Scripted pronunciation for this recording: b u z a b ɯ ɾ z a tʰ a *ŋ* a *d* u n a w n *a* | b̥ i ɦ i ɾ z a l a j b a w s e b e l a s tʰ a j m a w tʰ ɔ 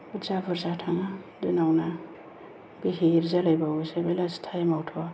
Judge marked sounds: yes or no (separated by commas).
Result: yes, yes, yes